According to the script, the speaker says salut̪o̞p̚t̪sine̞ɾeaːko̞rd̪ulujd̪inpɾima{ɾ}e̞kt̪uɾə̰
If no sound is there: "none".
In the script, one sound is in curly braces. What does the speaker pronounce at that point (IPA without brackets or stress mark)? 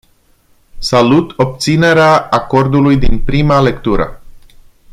l